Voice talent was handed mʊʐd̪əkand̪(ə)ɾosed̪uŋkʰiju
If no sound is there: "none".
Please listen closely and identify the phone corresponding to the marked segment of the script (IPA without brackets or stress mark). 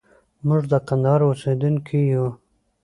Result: ɑ